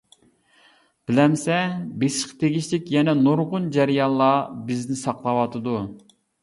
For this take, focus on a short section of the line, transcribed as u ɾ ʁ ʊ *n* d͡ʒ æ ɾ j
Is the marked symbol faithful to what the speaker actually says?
yes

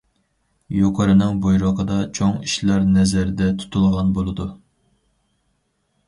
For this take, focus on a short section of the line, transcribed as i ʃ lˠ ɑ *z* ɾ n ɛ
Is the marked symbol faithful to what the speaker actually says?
no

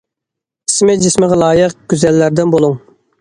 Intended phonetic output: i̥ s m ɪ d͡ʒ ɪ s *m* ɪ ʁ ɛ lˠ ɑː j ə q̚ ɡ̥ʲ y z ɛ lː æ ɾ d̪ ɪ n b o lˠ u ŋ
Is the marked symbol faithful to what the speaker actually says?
yes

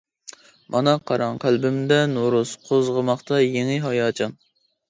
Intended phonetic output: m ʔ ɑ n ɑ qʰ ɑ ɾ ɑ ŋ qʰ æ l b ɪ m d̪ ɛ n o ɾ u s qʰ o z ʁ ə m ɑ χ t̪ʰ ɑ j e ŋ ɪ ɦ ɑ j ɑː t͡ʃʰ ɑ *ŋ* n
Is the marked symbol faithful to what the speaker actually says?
no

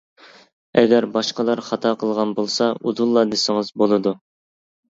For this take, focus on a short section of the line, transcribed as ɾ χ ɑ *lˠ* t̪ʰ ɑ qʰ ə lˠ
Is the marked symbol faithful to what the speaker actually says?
no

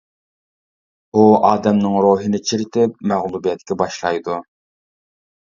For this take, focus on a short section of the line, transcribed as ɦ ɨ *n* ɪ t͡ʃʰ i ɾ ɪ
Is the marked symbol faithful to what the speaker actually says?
yes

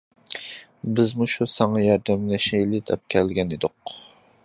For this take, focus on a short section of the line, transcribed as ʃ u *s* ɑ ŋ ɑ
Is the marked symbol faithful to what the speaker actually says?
yes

